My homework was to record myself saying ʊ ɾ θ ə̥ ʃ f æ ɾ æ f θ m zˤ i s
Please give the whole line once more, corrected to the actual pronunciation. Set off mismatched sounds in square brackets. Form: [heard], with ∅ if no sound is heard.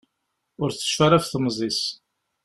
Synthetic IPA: ʊ ɾ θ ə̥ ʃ f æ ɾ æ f θ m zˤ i s